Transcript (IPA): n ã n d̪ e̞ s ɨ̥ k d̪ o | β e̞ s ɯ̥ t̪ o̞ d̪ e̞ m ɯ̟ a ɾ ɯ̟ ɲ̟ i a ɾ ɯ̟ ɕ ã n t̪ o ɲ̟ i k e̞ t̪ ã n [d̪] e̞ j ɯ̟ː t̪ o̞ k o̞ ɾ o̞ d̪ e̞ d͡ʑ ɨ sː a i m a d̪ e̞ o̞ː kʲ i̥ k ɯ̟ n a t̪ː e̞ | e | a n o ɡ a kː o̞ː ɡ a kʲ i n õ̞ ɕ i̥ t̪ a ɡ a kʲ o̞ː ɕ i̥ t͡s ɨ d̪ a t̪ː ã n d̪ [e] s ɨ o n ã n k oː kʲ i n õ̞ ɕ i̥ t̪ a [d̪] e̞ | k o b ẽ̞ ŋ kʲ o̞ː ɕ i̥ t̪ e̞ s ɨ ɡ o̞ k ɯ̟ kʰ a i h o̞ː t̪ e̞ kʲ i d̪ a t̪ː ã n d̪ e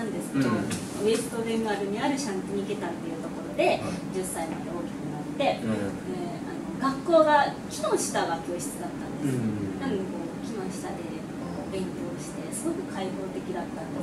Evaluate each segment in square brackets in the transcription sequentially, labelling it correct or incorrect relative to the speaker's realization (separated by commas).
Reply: incorrect, correct, correct